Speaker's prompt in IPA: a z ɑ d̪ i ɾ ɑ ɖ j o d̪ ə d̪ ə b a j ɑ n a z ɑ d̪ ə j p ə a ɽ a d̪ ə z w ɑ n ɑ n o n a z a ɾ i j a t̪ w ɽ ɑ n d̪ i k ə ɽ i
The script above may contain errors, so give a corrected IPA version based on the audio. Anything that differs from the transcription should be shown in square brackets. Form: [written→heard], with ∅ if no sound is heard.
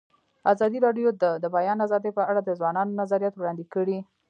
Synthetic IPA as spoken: a z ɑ d̪ i ɾ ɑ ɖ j o d̪ ə d̪ ə b a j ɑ n a z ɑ d̪ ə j p ə a ɽ a d̪ ə z w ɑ n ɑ n o n a z a ɾ i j a t̪ w ɽ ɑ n d̪ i k ə ɽ i